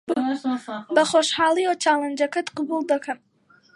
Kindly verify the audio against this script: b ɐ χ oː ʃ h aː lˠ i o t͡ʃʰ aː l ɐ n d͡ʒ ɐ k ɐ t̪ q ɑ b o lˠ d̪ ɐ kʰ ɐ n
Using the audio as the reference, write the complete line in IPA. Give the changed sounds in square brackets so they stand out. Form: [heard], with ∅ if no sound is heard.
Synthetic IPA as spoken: b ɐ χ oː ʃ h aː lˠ i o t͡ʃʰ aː l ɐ n d͡ʒ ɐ k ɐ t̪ q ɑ b [u] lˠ d̪ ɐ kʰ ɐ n